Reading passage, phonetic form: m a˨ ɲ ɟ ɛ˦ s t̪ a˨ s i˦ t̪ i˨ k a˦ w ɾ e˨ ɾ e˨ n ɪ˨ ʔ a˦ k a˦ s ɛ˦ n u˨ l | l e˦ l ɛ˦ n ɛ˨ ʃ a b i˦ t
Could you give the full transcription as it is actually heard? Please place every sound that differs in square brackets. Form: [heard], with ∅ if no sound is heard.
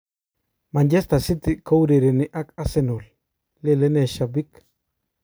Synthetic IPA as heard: m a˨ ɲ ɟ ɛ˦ s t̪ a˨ s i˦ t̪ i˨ k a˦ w ɾ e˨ ɾ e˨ n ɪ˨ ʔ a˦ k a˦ s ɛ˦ n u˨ l | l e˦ l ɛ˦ n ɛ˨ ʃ a b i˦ [k]